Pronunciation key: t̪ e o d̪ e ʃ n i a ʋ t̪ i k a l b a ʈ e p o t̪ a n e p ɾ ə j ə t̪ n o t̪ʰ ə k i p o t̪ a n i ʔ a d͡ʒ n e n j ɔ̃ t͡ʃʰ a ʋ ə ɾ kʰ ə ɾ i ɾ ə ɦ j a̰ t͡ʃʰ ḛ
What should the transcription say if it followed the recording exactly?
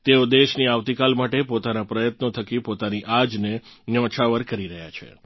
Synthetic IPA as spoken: t̪ e o d̪ e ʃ n i a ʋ t̪ i k a l m a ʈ e p o t̪ a n a p ɾ ə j ə t̪ n o t̪ʰ ə k i p o t̪ a n i ʔ a d͡ʒ n e n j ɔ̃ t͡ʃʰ a ʋ ə ɾ k ə ɾ i ɾ ə ɦ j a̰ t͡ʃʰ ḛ